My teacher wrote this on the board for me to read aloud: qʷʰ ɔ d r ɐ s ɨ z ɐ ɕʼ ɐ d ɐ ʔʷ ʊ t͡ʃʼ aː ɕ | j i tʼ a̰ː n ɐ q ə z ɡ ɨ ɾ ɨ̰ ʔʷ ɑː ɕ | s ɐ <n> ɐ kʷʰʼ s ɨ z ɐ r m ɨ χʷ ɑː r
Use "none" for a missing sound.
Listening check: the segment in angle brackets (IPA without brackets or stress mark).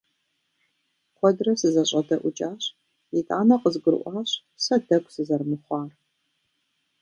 d